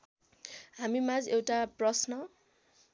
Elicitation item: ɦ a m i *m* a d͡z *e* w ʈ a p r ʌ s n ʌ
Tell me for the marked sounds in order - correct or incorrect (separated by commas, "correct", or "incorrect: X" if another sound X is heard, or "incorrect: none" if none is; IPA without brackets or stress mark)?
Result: correct, correct